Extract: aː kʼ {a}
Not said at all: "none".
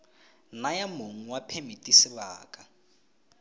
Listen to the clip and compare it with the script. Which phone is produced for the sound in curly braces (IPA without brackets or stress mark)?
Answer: a